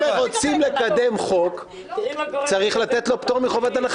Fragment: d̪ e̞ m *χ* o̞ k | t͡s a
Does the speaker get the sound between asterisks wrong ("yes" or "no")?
no